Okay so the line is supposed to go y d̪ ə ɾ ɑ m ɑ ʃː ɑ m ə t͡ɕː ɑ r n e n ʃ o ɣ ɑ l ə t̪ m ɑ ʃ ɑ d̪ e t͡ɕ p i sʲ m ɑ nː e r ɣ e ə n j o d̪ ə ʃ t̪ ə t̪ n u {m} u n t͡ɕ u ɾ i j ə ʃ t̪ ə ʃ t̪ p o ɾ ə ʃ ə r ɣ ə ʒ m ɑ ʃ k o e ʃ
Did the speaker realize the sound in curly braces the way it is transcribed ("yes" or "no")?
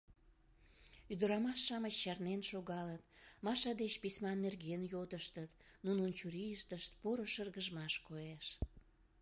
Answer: no